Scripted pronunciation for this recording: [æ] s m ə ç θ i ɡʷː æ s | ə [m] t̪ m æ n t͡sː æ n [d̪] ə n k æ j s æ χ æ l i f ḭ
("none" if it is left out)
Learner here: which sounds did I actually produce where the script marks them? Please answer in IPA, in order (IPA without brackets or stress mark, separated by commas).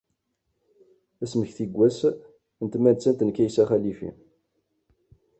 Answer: æ, n, t̪